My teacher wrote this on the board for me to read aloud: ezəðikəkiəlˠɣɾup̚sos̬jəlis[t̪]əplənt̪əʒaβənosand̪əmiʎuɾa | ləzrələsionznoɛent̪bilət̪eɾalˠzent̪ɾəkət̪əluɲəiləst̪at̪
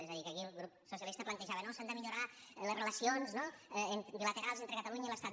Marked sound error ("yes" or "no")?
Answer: no